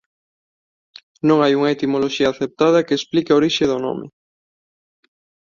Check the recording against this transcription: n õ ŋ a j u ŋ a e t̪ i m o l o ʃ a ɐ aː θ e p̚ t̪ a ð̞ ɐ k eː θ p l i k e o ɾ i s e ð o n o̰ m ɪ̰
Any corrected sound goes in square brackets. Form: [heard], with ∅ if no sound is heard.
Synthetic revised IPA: n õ ŋ a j u ŋ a e t̪ i m o l o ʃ [i] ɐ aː θ e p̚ t̪ a ð̞ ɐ k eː [s] p l i k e o ɾ i [ʃ] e ð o n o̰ m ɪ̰